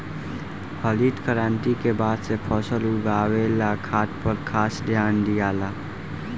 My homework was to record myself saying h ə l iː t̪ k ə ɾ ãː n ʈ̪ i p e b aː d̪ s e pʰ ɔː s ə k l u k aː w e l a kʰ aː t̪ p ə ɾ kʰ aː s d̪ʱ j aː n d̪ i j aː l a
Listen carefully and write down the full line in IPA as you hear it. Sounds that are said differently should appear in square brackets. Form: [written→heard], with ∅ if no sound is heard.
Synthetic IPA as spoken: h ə l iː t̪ k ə ɾ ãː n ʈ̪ i [p→k] e b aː d̪ s e pʰ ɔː s ə [k→∅] l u [k→ɡ] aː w e l a kʰ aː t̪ p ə ɾ kʰ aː s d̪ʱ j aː n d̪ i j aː l a